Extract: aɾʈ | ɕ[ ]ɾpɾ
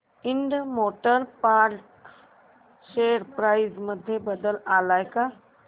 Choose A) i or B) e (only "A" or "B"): B